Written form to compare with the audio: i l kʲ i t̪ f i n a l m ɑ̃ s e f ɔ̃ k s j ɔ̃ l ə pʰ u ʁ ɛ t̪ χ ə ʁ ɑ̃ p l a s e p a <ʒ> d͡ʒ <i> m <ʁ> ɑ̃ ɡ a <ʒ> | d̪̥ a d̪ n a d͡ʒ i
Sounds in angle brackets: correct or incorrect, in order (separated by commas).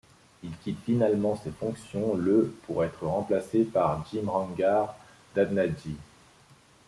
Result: incorrect, correct, correct, incorrect